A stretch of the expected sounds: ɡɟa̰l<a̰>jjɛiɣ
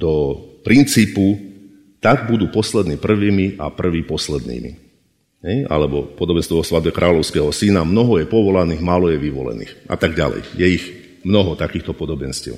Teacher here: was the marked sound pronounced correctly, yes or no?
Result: no